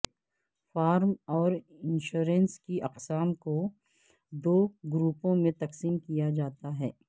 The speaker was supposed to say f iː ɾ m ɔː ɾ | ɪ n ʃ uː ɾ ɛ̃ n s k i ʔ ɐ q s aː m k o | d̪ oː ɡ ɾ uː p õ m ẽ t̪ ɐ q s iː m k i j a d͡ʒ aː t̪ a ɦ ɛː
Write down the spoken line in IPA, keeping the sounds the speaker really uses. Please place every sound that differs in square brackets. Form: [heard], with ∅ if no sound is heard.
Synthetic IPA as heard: f [aː] ɾ m ɔː ɾ | ɪ n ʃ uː ɾ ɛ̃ n s k i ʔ ɐ q s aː m k o | d̪ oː ɡ ɾ uː p õ m ẽ t̪ ɐ q s iː m k i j a d͡ʒ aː t̪ a ɦ ɛː

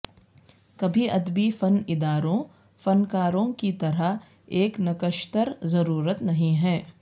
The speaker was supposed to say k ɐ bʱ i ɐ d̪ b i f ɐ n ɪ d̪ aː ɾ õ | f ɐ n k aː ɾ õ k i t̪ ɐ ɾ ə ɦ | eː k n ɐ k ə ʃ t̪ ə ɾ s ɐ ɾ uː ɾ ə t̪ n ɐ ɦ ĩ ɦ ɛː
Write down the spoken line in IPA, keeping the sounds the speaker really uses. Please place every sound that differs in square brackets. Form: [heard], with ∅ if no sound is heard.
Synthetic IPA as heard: k ɐ bʱ i ɐ d̪ b i f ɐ n ɪ d̪ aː ɾ õ | f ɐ n k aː ɾ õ k i t̪ ɐ ɾ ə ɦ | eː k n ɐ k ə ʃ t̪ ə ɾ [z] ɐ ɾ uː ɾ ə t̪ n ɐ ɦ ĩ ɦ ɛː

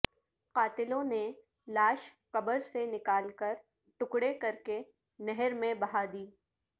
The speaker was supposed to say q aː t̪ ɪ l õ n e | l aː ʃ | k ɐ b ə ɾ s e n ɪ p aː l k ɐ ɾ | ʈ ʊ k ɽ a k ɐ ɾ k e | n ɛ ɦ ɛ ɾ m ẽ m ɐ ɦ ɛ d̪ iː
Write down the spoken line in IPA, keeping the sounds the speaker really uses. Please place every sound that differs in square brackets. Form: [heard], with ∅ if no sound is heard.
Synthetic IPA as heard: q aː t̪ ɪ l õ n e | l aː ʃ | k ɐ b ə ɾ s e n ɪ [k] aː l k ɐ ɾ | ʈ ʊ k ɽ [e] k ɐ ɾ k e | n ɛ ɦ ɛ ɾ m ẽ [b] ɐ ɦ [a] d̪ iː

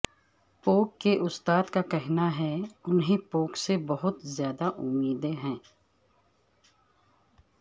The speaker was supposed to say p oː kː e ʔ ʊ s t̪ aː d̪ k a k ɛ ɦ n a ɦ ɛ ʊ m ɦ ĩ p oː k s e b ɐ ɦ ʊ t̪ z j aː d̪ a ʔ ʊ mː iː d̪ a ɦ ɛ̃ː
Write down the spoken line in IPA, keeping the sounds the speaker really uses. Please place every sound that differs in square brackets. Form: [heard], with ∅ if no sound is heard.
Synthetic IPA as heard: p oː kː e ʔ ʊ s t̪ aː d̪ k a k ɛ ɦ n a ɦ ɛ ʊ [n] ɦ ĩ p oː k s e b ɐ ɦ ʊ t̪ z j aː d̪ a ʔ ʊ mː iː d̪ [e] ɦ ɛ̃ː

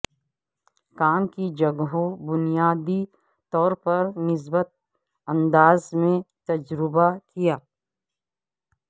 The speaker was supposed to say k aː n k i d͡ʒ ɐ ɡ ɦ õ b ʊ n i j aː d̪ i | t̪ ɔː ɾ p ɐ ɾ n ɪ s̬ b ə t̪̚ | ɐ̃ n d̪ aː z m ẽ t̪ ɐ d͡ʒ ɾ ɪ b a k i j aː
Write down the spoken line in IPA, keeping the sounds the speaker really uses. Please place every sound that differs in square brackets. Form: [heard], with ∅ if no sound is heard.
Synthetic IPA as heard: k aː [m] k i d͡ʒ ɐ ɡ ɦ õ b ʊ n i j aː d̪ i | t̪ ɔː ɾ p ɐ ɾ n ɪ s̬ b ə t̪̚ | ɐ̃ n d̪ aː z m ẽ t̪ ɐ d͡ʒ ɾ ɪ b a k i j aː

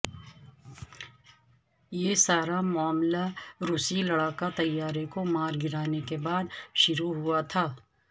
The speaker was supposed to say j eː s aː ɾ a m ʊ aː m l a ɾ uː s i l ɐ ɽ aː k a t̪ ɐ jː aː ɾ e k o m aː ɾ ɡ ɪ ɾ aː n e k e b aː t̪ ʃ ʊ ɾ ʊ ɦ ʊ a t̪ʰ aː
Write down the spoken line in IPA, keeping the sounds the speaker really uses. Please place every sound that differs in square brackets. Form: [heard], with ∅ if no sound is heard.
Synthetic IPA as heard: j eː s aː ɾ a m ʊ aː m l a ɾ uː s i l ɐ ɽ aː k a t̪ ɐ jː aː ɾ e k o m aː ɾ ɡ ɪ ɾ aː n e k e b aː [d̪] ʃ ʊ ɾ [u] ɦ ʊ a t̪ʰ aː

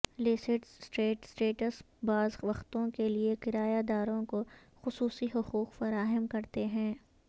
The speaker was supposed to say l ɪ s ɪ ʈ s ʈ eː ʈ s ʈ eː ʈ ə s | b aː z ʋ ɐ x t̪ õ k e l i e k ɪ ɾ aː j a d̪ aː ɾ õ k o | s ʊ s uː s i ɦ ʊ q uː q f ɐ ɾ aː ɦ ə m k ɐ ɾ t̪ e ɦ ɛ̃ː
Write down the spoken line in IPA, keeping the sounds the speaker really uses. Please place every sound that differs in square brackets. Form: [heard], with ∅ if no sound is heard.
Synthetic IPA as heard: l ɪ s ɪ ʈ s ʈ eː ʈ s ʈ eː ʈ ə s | b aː z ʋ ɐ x t̪ õ k e l i e k ɪ ɾ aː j a d̪ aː ɾ õ k o | [x] ʊ s uː s i ɦ ʊ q uː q f ɐ ɾ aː ɦ ə m k ɐ ɾ t̪ e ɦ ɛ̃ː

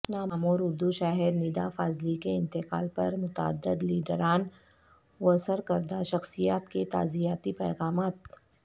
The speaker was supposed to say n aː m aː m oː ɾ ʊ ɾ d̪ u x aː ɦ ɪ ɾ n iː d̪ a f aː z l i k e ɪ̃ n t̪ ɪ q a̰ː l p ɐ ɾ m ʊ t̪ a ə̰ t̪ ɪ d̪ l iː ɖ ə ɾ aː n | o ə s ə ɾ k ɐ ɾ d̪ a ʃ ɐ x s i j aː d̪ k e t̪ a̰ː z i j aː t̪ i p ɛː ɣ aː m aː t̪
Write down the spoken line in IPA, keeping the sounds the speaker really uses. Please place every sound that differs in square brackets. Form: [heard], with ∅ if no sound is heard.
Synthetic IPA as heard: n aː m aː m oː ɾ ʊ ɾ d̪ u [ʃ] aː ɦ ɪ ɾ n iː d̪ a f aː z l i k e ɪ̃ n t̪ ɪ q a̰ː l p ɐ ɾ m ʊ t̪ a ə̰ [d̪] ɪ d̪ l iː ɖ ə ɾ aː n | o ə s ə ɾ k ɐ ɾ d̪ a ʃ ɐ x s i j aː [t̪] k e t̪ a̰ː z i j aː t̪ i p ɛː ɣ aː m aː t̪

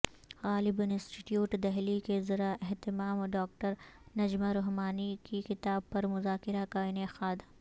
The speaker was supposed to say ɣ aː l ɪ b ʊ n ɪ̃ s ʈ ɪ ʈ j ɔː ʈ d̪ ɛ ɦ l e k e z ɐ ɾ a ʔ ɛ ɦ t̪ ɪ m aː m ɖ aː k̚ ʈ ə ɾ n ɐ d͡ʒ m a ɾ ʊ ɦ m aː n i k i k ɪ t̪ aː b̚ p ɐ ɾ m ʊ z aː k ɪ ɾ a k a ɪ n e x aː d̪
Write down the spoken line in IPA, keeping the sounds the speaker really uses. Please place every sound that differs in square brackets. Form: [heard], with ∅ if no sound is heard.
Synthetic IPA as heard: ɣ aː l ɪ b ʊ n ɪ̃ s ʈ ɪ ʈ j [uː] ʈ d̪ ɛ ɦ l [i] k e z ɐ ɾ a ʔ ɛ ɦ t̪ ɪ m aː m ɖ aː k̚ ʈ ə ɾ n ɐ d͡ʒ m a ɾ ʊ ɦ m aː n i k i k ɪ t̪ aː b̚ p ɐ ɾ m ʊ z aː k ɪ ɾ a k a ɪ n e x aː d̪

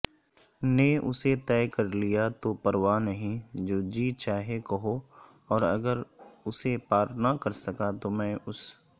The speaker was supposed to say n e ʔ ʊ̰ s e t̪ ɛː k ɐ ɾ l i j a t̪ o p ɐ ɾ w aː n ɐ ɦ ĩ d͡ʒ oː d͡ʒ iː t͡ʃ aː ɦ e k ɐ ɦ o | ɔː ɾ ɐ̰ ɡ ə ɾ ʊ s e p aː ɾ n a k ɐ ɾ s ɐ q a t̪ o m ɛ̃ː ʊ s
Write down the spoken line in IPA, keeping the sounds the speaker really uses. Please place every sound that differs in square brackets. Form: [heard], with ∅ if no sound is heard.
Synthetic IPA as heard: n e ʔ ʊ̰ s e t̪ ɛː k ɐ ɾ l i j a t̪ o p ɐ ɾ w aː n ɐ ɦ ĩ d͡ʒ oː d͡ʒ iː t͡ʃ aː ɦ e k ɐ ɦ o | ɔː ɾ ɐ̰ ɡ ə ɾ ʊ s e p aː ɾ n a k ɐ ɾ s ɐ [k] a t̪ o m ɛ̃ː ʊ s

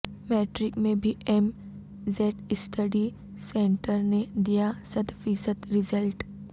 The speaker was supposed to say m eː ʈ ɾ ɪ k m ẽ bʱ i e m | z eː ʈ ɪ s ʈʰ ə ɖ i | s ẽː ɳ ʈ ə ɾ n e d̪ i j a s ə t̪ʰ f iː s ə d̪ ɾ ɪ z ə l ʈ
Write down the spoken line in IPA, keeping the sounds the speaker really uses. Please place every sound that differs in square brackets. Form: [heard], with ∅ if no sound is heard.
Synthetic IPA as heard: m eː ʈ ɾ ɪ k m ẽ bʱ i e m | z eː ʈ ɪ s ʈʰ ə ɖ i | s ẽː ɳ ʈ ə ɾ n e d̪ i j a s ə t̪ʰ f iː s ə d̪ ɾ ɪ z ə l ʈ

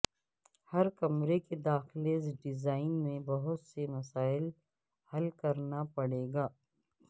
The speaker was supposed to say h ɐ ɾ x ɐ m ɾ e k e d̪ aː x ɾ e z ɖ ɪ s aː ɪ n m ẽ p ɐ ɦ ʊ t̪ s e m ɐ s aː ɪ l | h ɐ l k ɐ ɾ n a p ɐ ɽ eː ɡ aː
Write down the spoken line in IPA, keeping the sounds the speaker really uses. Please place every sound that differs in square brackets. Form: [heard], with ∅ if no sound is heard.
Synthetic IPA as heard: h ɐ ɾ [k] ɐ m ɾ e k e d̪ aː x [l] e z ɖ ɪ [z] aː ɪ n m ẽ [b] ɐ ɦ ʊ t̪ s e m ɐ s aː ɪ l | h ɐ l k ɐ ɾ n a p ɐ ɽ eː ɡ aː

